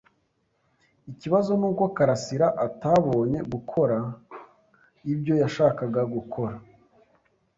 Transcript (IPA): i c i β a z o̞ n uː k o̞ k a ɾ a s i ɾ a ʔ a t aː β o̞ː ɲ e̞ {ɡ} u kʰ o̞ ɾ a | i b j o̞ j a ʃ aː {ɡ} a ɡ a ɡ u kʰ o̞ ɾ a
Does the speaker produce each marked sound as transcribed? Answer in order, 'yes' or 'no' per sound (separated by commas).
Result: yes, no